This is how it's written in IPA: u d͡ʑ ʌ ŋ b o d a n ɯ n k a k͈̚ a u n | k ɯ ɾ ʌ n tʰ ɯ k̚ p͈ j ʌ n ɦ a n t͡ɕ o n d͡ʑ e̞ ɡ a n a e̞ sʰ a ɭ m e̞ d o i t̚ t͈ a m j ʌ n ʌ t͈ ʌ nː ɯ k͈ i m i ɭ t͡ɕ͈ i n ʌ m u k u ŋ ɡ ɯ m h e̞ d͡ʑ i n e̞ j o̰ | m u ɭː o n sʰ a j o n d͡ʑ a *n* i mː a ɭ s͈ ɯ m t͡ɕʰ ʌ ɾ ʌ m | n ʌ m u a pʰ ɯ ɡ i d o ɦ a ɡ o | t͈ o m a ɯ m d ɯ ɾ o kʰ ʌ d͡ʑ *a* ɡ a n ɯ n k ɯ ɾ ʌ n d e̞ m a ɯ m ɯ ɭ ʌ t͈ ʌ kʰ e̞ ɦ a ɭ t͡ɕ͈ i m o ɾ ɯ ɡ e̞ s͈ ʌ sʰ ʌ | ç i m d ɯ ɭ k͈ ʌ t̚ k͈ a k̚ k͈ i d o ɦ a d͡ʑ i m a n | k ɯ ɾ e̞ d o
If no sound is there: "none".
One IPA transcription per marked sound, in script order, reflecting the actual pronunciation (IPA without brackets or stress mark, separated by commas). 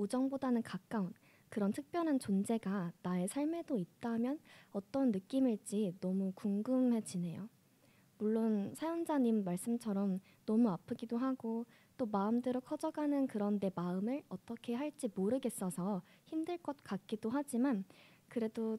ɲ, ʌ